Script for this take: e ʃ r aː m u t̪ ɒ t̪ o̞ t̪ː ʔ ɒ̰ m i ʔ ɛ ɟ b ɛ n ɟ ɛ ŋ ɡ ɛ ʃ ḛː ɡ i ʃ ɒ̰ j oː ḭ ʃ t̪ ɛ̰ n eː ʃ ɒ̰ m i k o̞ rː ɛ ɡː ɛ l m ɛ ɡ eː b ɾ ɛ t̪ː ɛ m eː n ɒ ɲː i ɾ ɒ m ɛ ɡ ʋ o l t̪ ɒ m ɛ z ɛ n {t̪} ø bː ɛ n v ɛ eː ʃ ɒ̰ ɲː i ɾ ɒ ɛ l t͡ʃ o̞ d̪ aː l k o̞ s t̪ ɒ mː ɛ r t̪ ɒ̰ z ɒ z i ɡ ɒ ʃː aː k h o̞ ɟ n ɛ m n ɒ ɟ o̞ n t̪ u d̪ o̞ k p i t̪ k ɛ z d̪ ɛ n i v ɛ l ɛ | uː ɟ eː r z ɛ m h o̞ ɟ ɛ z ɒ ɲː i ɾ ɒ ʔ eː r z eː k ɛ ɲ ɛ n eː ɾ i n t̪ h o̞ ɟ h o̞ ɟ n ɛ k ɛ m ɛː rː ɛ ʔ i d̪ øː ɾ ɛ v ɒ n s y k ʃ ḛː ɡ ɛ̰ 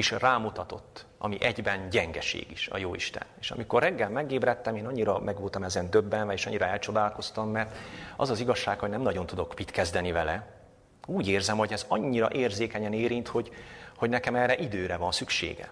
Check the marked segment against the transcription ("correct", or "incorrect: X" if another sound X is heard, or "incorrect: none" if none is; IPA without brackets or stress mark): incorrect: d̪